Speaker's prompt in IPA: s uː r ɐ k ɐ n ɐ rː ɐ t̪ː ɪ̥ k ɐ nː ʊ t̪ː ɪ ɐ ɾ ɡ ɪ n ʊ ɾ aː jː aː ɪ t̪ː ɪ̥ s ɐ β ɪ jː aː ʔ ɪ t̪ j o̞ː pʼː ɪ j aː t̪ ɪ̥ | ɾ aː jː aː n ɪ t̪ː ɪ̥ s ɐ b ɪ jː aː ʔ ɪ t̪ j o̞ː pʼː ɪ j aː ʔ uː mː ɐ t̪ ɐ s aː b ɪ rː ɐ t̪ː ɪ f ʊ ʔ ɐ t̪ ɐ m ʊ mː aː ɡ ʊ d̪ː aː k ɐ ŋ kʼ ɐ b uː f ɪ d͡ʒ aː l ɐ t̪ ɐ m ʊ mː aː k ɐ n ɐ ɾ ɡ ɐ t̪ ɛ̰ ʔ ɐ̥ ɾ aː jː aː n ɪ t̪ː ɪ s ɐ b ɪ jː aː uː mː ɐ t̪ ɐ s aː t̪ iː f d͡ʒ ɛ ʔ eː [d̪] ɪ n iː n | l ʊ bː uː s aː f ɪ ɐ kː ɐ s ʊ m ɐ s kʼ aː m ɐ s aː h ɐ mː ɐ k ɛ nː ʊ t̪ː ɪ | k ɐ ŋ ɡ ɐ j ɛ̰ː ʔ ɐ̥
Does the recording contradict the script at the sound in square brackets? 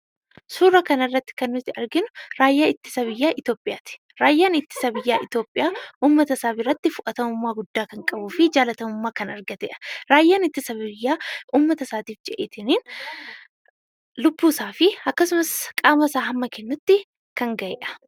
yes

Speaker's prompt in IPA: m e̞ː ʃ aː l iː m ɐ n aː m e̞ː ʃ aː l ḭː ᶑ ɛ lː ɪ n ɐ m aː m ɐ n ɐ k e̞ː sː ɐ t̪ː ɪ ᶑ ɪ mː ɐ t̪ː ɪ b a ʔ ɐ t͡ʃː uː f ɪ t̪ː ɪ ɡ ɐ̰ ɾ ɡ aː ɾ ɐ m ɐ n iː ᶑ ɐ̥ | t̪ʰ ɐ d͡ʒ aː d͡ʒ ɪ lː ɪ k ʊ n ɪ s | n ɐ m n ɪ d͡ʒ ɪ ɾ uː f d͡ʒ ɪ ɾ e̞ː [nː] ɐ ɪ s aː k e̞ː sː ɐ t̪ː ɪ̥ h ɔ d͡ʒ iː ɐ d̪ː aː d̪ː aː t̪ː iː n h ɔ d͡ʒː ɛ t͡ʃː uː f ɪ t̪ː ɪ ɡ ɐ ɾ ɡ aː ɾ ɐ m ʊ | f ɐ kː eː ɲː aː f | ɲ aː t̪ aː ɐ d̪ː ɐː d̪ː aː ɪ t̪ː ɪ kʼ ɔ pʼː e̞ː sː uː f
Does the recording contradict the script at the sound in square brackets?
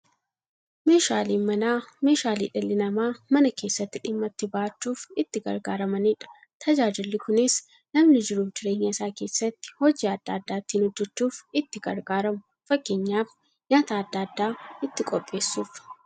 yes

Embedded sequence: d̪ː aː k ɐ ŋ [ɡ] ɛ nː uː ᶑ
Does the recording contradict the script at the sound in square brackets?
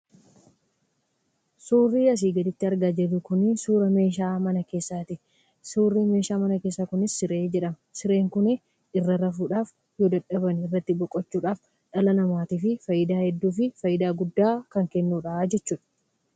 yes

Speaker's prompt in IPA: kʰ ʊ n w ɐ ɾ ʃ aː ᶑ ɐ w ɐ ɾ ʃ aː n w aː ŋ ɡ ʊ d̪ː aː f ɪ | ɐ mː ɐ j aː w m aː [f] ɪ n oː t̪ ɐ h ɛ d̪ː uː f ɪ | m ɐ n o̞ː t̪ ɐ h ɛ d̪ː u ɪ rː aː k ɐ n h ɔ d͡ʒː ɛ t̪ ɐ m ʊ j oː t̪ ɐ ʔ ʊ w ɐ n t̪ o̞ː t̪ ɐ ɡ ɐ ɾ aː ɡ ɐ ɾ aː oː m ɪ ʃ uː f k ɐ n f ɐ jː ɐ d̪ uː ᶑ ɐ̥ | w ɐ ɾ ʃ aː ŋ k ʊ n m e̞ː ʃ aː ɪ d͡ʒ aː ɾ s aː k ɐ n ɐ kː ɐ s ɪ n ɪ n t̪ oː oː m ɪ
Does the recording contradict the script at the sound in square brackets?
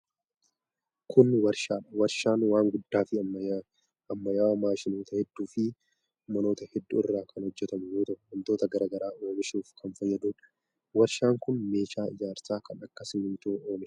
yes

